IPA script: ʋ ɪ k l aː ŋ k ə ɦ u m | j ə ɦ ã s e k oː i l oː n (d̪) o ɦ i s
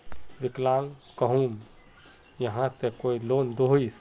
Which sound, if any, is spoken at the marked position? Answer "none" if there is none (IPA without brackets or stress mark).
d̪